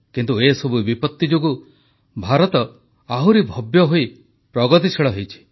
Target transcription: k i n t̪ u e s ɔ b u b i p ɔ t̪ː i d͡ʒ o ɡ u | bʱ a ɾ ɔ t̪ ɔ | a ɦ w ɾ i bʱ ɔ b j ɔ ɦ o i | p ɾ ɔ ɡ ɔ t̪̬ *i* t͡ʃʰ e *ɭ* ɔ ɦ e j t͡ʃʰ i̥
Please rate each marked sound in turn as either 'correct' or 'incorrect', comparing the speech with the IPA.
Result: correct, correct

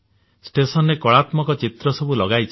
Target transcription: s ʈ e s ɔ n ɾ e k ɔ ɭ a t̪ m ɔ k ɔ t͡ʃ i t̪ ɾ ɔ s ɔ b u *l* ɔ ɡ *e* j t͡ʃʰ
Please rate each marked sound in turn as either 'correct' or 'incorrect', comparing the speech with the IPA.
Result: correct, incorrect: a

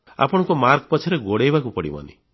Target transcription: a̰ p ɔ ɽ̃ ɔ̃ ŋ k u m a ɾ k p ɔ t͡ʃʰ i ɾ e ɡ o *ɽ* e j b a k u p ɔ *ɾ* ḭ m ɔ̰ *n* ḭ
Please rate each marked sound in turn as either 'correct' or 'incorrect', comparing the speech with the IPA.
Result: correct, incorrect: ɽ, correct

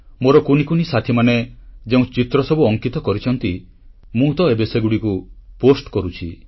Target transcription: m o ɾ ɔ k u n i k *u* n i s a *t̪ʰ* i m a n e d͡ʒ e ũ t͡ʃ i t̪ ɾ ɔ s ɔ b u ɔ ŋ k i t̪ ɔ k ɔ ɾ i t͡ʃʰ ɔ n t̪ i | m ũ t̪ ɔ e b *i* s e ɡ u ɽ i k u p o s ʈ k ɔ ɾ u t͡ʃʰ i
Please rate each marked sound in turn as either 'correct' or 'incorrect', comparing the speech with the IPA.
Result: correct, correct, incorrect: e

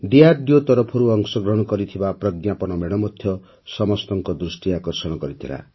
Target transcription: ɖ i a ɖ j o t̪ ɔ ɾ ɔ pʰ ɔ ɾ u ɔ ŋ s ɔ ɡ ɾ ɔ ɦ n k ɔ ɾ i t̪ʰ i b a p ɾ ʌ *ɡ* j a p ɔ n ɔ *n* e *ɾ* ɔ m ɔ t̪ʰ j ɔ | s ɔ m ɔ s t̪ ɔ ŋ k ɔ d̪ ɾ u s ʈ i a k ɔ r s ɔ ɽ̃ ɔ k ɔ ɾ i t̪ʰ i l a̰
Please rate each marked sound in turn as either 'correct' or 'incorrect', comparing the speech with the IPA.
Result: correct, incorrect: m, incorrect: ɽ

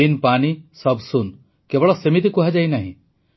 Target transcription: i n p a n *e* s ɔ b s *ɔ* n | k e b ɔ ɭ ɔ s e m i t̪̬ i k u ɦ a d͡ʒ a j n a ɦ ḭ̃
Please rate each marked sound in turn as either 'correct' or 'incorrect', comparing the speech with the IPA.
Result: incorrect: i, incorrect: u

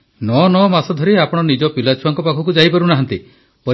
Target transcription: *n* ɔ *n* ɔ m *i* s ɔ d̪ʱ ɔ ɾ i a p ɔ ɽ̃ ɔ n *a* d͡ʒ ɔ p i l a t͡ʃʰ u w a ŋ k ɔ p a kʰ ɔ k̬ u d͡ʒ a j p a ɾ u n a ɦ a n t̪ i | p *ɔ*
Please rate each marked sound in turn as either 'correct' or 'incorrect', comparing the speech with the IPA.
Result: correct, correct, incorrect: a, incorrect: i, correct

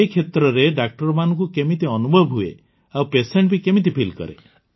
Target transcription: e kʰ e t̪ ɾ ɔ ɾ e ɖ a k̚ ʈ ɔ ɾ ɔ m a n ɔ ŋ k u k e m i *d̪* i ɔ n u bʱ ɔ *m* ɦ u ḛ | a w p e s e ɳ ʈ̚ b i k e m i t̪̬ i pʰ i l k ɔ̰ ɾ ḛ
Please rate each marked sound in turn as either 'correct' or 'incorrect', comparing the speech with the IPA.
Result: incorrect: t̪, incorrect: b

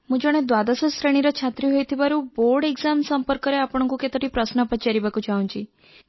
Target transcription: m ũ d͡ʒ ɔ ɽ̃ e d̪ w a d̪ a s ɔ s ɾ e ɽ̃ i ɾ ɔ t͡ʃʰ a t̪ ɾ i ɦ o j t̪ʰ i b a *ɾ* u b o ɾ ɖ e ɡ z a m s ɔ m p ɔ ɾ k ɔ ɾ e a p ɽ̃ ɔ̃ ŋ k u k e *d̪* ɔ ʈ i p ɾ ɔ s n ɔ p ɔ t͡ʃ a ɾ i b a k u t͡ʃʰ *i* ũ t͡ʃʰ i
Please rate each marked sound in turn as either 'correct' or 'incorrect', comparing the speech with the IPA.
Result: correct, incorrect: t̪, incorrect: a

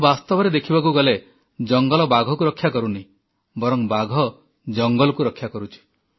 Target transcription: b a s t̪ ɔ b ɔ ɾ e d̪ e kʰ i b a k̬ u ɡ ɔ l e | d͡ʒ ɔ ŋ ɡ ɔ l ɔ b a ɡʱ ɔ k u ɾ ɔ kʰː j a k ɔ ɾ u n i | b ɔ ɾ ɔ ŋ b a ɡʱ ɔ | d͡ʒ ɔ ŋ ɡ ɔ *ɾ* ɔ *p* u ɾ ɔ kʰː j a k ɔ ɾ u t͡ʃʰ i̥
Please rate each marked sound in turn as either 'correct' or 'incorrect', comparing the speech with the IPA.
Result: incorrect: l, incorrect: k

